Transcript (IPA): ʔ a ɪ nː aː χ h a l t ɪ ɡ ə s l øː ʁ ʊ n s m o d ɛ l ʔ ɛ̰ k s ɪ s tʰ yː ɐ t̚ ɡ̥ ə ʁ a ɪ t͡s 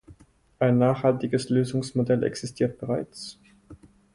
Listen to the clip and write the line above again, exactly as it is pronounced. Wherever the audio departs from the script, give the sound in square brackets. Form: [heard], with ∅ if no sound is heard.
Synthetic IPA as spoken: ʔ a ɪ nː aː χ h a l t ɪ ɡ ə s l øː [z] ʊ [ŋ] s m o d ɛ l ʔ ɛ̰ k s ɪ s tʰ [iː] ɐ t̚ [b̥] ə ʁ a ɪ t͡s